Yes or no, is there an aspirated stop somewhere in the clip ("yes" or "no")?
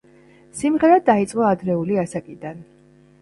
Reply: no